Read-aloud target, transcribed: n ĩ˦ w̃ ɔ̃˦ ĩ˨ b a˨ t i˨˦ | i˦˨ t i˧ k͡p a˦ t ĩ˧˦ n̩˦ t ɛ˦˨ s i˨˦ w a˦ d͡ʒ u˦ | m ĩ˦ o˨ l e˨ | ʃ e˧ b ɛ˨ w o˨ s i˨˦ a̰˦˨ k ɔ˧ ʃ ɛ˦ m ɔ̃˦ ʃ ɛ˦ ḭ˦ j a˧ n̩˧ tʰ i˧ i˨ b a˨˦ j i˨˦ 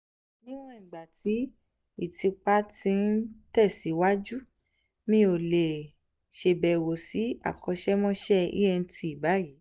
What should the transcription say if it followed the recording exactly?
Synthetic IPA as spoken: n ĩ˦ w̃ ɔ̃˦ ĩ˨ ɡ͡b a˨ t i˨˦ | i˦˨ t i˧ k͡p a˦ t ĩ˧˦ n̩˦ t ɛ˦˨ s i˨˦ w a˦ d͡ʒ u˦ | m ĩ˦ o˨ l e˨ | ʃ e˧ b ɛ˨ w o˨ s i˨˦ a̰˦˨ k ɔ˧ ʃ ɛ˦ m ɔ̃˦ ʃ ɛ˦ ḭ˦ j ɛ˧ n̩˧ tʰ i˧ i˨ b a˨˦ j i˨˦

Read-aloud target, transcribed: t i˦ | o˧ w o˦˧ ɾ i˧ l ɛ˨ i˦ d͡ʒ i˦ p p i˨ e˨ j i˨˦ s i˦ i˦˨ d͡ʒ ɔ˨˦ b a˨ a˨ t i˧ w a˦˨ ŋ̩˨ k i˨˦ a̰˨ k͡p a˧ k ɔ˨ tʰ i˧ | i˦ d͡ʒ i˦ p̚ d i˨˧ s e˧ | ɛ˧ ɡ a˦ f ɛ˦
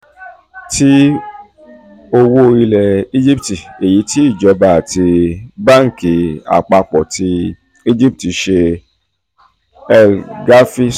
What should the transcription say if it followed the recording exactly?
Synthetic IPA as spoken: t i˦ | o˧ w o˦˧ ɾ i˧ l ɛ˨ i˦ d͡ʒ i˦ p t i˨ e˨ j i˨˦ t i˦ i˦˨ d͡ʒ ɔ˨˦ b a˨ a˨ t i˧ b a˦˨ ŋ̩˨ k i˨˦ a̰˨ k͡p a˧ k͡p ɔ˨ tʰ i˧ | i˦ d͡ʒ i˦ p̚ t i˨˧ ʃ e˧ | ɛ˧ ɡ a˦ f i˦

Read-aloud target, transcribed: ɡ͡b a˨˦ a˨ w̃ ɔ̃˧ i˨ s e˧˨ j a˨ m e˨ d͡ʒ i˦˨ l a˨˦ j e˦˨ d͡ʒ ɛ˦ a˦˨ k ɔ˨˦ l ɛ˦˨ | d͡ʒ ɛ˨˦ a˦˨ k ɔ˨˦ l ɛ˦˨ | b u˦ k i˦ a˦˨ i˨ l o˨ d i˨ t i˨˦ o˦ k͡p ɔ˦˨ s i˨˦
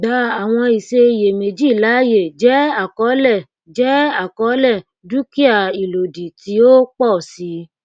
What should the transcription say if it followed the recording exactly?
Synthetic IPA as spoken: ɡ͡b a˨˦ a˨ w̃ ɔ̃˧ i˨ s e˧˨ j e˨ m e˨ d͡ʒ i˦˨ l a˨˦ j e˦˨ d͡ʒ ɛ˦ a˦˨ k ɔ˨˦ l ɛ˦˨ | d͡ʒ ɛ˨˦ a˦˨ k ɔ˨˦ l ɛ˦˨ | d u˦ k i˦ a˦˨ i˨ l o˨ d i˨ t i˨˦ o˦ k͡p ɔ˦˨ s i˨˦

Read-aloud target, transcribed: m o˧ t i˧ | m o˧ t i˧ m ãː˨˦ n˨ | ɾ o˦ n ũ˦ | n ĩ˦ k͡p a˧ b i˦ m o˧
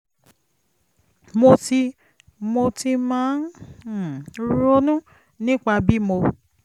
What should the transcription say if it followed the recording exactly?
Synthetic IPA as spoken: m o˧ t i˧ | m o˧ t i˧ m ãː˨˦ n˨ | ɾ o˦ n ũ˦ | n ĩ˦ k͡p a˧ b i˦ m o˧

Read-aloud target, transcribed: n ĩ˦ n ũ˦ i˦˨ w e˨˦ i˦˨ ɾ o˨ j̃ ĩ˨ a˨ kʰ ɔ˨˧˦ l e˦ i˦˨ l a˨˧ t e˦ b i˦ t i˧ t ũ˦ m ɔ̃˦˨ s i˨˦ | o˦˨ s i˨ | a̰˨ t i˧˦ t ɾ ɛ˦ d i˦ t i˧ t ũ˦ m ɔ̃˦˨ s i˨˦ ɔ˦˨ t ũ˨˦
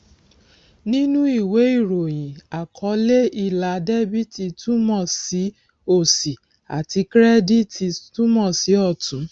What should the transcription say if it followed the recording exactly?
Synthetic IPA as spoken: n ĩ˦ n ũ˦ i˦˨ w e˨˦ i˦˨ ɾ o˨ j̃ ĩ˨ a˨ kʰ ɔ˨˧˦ l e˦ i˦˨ l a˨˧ d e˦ b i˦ t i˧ t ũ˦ m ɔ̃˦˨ s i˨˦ | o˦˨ s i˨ | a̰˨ t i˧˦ k ɾ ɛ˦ d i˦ t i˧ t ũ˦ m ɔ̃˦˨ s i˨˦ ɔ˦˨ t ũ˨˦

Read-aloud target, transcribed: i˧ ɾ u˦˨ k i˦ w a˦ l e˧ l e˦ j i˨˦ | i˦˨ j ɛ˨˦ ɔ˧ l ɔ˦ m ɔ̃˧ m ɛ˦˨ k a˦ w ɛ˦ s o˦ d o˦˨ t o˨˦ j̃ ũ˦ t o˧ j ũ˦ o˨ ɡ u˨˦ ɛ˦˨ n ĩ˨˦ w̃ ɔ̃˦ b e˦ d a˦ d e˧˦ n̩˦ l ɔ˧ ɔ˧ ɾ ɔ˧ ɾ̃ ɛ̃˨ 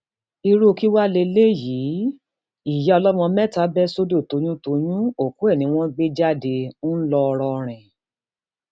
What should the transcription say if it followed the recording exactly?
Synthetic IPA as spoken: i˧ ɾ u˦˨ k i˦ w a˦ l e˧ l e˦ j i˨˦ | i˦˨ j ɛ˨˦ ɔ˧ l ɔ˦ m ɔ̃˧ m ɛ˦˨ t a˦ b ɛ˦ s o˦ d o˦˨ t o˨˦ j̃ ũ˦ t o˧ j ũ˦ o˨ k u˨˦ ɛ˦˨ n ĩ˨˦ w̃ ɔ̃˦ ɡ͡b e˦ d͡ʒ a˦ d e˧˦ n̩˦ l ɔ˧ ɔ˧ ɾ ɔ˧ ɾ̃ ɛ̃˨

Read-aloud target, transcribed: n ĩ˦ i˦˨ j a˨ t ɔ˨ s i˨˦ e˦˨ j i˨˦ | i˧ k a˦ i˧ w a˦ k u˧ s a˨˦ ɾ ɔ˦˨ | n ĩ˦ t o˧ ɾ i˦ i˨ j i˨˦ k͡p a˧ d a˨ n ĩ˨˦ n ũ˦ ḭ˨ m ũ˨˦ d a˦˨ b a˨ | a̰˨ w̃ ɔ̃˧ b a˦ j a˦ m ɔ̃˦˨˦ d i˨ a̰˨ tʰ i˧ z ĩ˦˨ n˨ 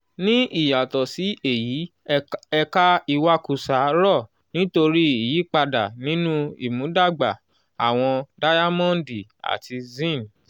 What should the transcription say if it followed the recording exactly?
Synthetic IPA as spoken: n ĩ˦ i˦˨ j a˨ t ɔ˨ s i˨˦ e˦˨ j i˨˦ | ɛ˧ k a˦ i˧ w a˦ k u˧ s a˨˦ ɾ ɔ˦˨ | n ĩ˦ t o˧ ɾ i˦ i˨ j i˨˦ k͡p a˧ d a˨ n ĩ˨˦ n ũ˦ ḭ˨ m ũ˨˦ d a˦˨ ɡ͡b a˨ | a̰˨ w̃ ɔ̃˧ d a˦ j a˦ m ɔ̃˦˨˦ d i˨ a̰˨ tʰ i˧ z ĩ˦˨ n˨

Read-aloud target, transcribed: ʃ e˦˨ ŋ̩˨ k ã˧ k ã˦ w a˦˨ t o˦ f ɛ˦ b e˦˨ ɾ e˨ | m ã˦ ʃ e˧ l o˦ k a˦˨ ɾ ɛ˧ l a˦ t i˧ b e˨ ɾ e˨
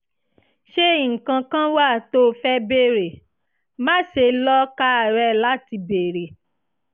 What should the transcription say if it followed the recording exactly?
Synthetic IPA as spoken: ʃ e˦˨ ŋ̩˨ k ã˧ k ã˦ w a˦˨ t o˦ f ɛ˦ b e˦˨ ɾ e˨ | m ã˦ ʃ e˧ l ɔ˦ k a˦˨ ɾ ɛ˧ l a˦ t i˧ b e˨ ɾ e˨

